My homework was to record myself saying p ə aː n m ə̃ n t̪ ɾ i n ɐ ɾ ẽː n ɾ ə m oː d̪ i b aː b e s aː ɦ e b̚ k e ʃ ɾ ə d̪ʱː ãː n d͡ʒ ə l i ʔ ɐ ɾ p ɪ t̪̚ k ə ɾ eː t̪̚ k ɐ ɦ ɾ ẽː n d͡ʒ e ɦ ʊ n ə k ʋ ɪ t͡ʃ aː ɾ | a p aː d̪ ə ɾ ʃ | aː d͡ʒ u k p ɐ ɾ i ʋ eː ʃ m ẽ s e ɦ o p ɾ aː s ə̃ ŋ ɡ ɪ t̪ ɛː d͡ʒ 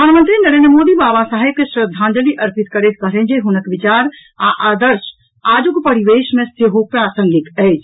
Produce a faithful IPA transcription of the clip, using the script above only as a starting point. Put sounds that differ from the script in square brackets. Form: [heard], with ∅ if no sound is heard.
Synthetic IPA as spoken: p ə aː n m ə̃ n t̪ ɾ i n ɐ ɾ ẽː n ɾ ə m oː d̪ i b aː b [a] s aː ɦ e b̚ k e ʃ ɾ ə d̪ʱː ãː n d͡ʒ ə l i ʔ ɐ ɾ p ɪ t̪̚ k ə ɾ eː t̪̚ k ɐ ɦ ɾ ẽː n d͡ʒ e ɦ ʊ n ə k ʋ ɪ t͡ʃ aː ɾ | a [ʔ] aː d̪ ə ɾ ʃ | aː d͡ʒ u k p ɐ ɾ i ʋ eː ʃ m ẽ s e ɦ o p ɾ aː s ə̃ ŋ ɡ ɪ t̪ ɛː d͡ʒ